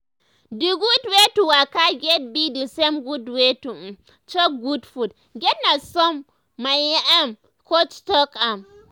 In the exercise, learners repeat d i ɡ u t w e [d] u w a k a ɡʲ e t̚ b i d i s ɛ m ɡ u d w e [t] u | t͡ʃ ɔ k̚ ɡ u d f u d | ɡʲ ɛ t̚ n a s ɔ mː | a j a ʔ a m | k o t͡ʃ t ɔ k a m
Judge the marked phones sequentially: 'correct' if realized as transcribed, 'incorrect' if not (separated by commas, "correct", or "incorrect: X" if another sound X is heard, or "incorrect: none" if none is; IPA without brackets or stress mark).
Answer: incorrect: t, correct